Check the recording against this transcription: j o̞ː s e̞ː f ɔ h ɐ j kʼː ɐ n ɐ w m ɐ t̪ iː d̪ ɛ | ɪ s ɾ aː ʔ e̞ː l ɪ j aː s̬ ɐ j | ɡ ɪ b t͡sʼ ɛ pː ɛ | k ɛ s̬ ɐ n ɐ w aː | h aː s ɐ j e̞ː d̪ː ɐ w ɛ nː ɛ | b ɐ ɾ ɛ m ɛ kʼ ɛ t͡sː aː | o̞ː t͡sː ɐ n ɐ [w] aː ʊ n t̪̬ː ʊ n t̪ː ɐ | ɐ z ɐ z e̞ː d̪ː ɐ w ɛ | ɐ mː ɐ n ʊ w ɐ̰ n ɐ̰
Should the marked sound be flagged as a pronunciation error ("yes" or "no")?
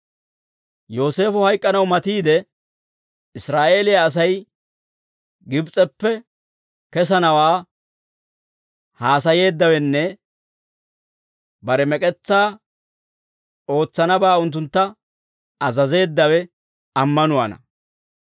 yes